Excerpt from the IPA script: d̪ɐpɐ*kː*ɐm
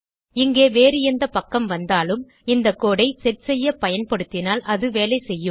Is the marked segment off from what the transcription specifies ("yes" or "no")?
no